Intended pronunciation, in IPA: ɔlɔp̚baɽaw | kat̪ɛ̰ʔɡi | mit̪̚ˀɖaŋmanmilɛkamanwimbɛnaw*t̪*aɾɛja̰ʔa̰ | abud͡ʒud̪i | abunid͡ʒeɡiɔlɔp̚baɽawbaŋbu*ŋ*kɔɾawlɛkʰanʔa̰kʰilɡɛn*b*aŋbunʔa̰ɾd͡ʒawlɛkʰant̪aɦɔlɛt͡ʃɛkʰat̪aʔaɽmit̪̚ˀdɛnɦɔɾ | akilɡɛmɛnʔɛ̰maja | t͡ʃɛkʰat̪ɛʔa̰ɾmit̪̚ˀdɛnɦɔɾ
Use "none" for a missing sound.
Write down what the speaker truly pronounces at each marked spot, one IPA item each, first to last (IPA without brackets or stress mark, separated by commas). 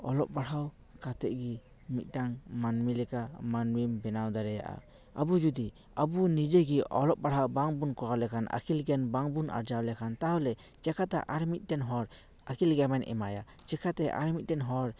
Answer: d̪, n, b